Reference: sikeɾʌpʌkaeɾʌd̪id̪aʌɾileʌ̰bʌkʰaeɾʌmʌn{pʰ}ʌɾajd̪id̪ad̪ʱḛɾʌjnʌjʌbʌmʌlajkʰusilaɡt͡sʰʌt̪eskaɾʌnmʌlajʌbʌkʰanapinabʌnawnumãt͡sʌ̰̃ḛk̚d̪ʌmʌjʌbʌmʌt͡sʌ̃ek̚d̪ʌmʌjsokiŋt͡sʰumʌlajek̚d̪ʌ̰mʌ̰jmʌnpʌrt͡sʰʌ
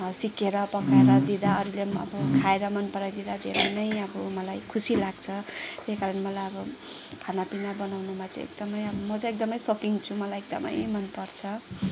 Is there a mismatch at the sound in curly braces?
yes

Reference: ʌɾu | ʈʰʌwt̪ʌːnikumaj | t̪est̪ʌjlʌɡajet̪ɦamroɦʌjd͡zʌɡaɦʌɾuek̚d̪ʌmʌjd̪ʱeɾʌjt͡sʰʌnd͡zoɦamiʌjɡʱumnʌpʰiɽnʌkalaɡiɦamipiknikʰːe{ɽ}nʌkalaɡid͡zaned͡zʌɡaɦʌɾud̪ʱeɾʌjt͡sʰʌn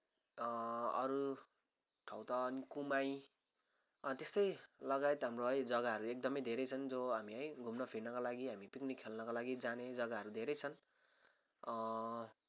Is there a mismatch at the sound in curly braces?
yes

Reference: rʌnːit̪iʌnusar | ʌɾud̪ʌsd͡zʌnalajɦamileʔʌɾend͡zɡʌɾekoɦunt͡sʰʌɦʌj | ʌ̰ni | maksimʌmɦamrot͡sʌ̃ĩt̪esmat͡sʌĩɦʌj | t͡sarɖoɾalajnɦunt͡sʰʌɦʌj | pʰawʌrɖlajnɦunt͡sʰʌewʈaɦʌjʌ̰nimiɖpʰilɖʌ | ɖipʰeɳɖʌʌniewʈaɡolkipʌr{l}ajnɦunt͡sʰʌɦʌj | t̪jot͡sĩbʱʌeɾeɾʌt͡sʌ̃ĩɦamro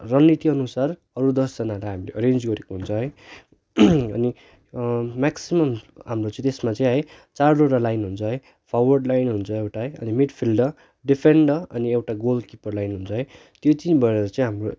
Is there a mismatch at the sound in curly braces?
no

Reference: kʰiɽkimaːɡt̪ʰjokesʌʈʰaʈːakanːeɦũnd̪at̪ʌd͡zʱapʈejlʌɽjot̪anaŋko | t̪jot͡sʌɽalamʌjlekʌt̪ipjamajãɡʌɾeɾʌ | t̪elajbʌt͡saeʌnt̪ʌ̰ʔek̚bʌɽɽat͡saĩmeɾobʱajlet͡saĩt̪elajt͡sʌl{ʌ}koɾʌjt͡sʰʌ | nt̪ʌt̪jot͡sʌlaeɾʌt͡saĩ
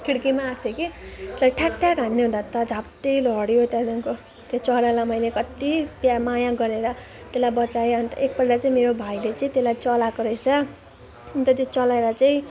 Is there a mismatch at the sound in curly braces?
yes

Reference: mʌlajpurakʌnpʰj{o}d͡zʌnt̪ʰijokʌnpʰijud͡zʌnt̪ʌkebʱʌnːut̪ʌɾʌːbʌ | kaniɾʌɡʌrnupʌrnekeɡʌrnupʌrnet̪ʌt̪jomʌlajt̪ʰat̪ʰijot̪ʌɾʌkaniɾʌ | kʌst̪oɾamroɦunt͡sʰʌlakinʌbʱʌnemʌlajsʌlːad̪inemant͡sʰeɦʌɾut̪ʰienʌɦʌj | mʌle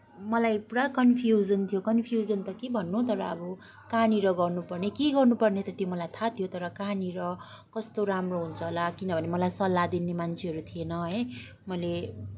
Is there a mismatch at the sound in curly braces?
yes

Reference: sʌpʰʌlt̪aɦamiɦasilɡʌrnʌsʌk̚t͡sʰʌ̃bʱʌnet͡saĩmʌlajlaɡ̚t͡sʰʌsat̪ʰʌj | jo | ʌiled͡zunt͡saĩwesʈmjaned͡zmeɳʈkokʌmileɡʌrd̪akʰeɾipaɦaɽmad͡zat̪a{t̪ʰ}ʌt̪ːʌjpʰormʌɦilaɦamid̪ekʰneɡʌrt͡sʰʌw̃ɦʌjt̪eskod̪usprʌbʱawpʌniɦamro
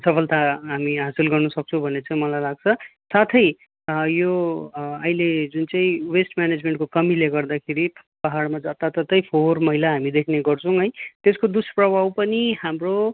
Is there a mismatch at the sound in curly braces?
yes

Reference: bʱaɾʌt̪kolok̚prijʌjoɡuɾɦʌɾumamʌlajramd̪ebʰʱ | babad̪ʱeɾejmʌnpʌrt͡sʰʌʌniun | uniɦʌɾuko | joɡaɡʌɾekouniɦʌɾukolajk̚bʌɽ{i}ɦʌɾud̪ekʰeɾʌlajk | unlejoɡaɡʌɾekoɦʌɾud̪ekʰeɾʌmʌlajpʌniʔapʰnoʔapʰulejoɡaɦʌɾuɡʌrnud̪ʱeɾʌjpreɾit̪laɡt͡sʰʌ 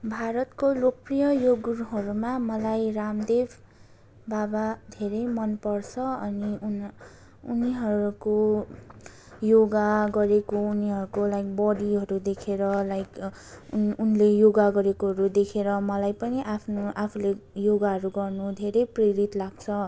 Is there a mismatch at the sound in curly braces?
no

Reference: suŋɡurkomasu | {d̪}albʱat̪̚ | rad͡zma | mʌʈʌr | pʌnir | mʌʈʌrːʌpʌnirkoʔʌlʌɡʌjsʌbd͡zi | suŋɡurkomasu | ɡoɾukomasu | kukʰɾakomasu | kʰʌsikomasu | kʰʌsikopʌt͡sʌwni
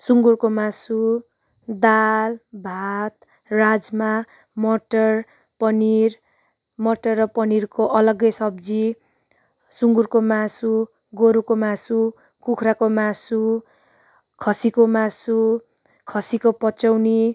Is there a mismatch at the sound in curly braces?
no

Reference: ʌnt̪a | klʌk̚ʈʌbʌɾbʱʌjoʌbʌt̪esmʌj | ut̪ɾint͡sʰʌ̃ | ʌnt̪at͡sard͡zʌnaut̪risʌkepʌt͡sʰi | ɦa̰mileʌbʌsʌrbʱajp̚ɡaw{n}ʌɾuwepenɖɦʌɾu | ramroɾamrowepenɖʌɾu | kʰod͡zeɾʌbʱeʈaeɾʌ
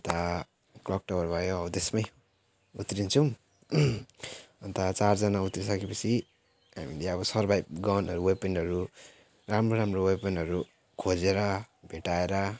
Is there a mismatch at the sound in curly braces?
no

